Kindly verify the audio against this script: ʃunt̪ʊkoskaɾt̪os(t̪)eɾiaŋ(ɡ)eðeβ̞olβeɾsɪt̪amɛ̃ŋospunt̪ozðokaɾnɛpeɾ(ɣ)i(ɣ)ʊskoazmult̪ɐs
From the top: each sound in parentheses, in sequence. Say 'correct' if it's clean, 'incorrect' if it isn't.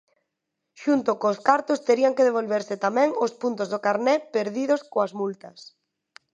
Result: correct, incorrect, incorrect, incorrect

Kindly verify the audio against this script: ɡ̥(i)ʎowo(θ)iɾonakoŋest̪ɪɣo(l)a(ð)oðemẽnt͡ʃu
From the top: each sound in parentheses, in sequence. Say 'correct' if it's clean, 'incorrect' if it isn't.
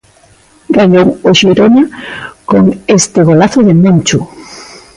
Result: incorrect, incorrect, correct, incorrect

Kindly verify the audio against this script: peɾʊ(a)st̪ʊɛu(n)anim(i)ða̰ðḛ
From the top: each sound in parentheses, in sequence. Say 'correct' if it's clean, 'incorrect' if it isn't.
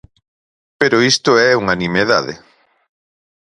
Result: incorrect, incorrect, incorrect

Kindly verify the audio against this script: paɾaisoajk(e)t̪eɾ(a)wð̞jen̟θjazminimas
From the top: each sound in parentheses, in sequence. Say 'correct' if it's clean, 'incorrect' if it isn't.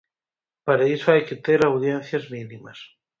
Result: correct, correct

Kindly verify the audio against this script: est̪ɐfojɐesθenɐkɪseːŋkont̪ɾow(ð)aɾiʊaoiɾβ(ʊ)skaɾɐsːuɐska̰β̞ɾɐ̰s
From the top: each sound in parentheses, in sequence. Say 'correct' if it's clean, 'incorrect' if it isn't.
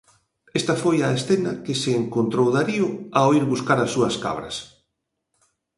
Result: correct, incorrect

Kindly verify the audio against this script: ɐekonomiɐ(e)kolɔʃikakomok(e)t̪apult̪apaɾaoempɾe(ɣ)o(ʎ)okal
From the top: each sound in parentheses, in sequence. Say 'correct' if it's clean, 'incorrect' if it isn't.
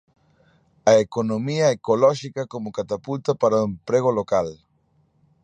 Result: correct, incorrect, correct, incorrect

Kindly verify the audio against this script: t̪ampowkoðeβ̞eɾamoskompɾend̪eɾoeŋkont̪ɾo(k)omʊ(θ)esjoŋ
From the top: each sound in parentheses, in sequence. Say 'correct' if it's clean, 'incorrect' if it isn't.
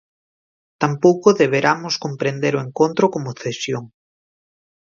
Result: correct, correct

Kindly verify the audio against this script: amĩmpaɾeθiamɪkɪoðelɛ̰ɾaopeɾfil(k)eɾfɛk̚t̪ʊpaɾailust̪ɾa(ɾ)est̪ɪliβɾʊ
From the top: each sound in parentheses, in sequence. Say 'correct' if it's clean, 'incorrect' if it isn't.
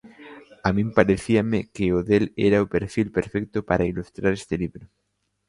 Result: incorrect, correct

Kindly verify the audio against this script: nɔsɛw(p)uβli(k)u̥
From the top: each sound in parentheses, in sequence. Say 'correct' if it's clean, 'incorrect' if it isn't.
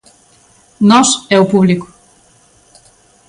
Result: correct, correct

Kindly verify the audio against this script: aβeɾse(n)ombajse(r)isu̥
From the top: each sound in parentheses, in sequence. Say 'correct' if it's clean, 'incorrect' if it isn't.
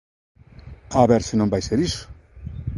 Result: correct, incorrect

